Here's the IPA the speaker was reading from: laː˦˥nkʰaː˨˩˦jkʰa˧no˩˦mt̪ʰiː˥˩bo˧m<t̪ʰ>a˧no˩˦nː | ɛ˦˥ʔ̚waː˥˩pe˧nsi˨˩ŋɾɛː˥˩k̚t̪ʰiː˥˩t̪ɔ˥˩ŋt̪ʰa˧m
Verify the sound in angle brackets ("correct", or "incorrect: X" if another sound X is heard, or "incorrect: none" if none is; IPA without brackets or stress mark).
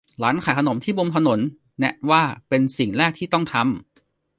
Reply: correct